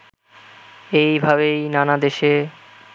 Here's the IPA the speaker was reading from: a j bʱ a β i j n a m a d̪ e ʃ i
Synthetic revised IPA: e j bʱ a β e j n a n a d̪ e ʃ e